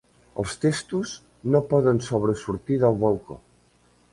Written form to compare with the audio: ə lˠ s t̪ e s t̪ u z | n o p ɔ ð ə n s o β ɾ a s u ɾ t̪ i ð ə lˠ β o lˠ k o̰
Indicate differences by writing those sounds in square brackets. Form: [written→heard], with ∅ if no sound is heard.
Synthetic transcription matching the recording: ə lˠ s t̪ e s t̪ u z | n o p ɔ ð ə n s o β ɾ [a→ə] s u ɾ t̪ i ð ə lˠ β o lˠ k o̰